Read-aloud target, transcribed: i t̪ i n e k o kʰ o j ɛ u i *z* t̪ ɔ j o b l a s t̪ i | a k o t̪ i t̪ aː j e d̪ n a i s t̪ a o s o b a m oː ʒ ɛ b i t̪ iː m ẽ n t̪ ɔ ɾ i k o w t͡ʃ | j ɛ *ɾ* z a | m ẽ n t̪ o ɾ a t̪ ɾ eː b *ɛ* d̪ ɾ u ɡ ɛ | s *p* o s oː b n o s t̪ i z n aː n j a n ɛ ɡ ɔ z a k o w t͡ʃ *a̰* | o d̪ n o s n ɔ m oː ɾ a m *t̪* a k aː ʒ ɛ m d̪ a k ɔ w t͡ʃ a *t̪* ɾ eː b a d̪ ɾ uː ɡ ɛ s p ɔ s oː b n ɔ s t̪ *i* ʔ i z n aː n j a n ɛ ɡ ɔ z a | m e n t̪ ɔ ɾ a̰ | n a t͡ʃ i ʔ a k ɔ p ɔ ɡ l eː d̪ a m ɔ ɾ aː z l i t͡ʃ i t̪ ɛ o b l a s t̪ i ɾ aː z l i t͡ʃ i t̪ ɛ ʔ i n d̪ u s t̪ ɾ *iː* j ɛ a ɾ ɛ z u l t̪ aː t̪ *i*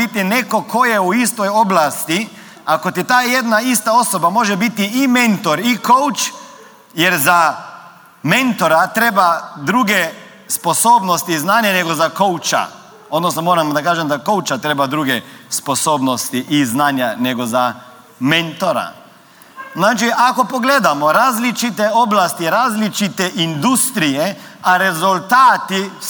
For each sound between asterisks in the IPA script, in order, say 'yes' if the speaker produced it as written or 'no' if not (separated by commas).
no, yes, no, yes, yes, no, yes, yes, no, yes